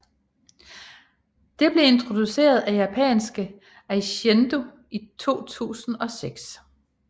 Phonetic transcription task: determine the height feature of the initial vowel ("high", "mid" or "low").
mid